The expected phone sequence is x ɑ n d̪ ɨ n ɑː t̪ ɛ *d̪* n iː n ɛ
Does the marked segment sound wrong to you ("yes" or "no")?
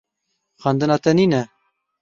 yes